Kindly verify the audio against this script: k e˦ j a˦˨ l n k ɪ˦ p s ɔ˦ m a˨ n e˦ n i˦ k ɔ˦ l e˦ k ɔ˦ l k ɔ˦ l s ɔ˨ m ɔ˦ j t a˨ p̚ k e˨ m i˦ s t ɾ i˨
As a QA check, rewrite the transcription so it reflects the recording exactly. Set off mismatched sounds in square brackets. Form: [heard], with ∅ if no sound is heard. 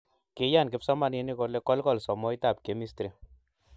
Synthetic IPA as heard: k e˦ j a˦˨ [∅] n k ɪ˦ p s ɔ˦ m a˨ n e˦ n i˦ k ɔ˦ l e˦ k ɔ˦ l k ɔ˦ l s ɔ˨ m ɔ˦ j t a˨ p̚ k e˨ m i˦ s t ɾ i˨